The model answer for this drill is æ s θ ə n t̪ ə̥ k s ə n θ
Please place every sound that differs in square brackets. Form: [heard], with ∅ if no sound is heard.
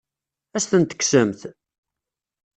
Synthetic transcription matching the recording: æ s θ ə n t̪ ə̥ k s ə [m] θ